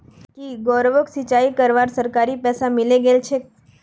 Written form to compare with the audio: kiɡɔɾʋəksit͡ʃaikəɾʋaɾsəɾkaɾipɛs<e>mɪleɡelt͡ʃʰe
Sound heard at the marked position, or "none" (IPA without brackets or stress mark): a